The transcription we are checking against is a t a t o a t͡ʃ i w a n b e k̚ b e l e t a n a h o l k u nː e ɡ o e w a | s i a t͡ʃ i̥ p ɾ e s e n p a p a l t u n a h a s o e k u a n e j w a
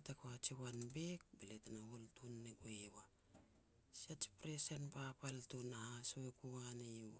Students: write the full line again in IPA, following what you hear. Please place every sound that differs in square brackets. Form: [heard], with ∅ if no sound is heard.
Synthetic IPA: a t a [k] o a t͡ʃ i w a n b e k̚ b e l e t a n a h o l [t] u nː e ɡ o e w a | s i a t͡ʃ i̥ p ɾ e s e n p a p a l t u n a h a s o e k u a n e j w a